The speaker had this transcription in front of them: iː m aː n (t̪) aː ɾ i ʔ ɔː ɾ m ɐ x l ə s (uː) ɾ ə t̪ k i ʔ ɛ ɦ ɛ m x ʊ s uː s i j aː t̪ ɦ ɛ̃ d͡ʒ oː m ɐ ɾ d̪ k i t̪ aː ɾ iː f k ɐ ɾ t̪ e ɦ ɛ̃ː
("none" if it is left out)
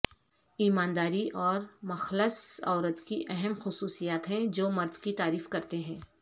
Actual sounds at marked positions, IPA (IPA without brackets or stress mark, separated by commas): d̪, ɔː